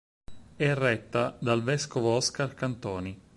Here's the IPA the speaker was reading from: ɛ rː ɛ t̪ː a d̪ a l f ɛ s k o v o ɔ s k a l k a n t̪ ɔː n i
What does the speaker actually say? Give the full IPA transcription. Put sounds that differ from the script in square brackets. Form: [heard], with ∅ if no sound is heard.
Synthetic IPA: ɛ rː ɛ t̪ː a d̪ a l [v] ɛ s k o v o ɔ s k a [r] k a n t̪ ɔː n i